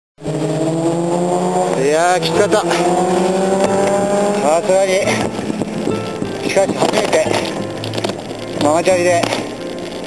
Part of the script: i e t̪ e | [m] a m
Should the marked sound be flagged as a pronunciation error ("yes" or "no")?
no